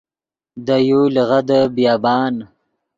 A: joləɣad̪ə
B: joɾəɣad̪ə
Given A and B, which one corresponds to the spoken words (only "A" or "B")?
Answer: A